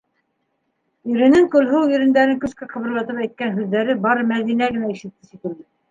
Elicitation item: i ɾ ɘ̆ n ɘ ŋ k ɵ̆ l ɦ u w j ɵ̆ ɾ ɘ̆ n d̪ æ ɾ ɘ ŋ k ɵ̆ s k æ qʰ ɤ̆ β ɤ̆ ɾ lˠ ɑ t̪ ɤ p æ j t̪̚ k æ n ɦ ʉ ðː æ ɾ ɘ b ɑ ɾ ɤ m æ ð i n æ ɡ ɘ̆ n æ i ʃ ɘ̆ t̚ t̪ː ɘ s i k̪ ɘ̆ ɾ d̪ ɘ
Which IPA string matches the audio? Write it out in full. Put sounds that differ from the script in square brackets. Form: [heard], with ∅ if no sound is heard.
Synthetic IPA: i ɾ ɘ̆ n ɘ ŋ k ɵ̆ l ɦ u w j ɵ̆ ɾ ɘ̆ n d̪ æ ɾ ɘ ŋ k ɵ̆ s k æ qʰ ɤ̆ β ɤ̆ ɾ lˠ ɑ t̪ ɤ p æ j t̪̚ k æ n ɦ ʉ ðː æ ɾ ɘ b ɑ ɾ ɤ m æ ð i n æ ɡ ɘ̆ n æ i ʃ ɘ̆ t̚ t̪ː ɘ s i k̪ ɘ̆ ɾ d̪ ɘ

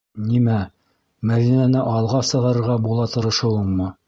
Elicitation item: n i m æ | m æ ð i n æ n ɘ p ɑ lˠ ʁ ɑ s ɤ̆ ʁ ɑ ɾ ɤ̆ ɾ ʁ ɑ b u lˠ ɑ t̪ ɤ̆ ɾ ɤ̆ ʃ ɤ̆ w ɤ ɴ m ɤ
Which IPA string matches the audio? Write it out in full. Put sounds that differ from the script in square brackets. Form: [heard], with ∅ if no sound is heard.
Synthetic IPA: n i m æ | m æ ð i n æ n ɘ [ʔ] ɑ lˠ ʁ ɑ s ɤ̆ ʁ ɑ ɾ ɤ̆ ɾ ʁ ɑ b u lˠ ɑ t̪ ɤ̆ ɾ ɤ̆ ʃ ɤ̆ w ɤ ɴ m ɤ

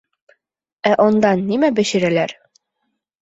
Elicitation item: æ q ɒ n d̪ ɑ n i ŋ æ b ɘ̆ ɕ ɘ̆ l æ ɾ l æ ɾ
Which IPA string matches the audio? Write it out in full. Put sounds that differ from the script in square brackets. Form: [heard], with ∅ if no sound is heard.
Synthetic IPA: æ [ʔ] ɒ n d̪ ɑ [nː] i [m] æ b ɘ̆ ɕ ɘ̆ [ɾ] æ [∅] l æ ɾ

